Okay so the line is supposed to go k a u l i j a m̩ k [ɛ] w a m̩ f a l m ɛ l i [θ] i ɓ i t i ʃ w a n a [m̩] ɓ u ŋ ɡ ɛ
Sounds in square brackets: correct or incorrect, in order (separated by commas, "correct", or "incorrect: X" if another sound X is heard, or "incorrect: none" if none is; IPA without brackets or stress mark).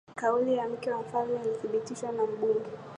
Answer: correct, correct, correct